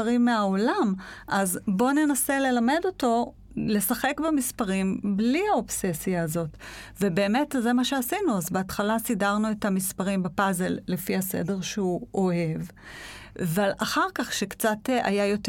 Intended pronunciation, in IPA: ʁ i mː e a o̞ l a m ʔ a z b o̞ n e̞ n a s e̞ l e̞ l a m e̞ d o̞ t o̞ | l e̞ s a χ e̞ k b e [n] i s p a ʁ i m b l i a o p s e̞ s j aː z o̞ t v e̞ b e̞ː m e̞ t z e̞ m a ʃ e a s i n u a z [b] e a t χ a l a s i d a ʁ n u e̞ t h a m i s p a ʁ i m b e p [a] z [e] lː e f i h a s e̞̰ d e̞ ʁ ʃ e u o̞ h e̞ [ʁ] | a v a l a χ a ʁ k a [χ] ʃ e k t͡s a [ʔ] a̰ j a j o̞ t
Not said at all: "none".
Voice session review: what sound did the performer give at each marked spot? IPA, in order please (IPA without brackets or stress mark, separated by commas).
m, b, a, e, v, χ, t